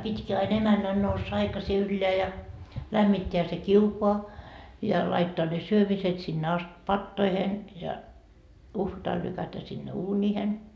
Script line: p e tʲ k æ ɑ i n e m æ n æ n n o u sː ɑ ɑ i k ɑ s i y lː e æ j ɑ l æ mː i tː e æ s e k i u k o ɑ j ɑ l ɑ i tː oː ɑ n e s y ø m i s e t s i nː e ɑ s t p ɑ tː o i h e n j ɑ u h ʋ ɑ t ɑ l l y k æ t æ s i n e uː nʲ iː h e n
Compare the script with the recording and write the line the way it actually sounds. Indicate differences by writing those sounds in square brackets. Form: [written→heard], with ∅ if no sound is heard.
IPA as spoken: p [e→i] tʲ k [æ→i] ɑ i n e m æ [n→nː] æ n n o u sː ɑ ɑ i k ɑ s i y lː e æ j ɑ l æ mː i tː e æ s e k i u k o ɑ j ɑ l ɑ i tː oː ɑ n e s y ø m i s e t s i nː e ɑ s t p ɑ tː o i h e n j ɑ u h ʋ ɑ t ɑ l l y k æ t æ s i [n→nː] e uː nʲ iː h e n